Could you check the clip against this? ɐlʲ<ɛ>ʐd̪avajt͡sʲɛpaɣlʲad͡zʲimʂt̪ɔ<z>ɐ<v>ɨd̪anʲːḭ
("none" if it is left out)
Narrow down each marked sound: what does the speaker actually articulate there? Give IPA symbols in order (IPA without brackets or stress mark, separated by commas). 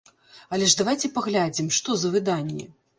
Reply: ɛ, z, v